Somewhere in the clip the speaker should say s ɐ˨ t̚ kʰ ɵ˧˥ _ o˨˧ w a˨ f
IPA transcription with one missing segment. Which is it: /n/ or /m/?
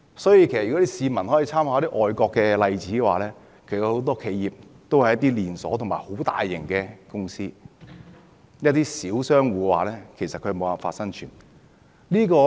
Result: m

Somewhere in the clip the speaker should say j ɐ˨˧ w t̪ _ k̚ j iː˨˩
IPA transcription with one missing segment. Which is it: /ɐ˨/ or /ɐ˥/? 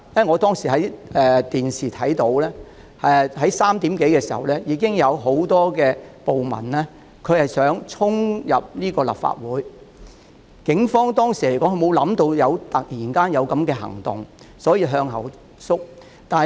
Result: ɐ˨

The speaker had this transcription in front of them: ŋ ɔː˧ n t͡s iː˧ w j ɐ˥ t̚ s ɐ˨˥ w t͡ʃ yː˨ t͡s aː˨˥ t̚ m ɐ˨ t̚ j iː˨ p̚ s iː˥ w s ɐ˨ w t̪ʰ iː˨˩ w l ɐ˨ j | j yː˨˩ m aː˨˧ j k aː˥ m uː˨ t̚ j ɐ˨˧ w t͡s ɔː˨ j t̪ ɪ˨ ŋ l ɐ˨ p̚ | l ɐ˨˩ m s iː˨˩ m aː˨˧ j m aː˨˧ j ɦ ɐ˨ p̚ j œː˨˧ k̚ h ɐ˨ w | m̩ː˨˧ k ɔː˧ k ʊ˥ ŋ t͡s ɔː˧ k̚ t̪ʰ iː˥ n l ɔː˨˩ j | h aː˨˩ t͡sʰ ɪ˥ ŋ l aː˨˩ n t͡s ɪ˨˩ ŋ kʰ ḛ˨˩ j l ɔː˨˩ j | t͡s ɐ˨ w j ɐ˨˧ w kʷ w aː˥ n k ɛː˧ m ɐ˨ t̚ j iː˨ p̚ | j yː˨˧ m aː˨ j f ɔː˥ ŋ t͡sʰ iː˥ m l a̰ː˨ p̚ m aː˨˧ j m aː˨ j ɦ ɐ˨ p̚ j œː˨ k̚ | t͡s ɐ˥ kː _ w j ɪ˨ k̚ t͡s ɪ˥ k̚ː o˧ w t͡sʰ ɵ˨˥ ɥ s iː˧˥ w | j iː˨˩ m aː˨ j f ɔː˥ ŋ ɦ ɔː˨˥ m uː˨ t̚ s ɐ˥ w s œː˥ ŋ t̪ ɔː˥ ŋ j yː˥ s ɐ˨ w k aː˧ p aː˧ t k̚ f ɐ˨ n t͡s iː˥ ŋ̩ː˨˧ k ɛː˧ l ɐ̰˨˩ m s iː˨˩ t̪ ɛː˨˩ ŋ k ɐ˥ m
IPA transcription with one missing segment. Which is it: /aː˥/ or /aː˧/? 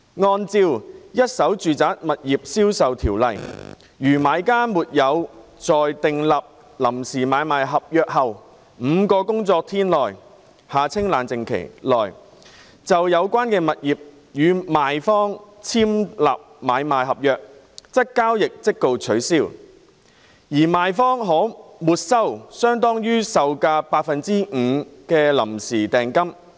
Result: aː˥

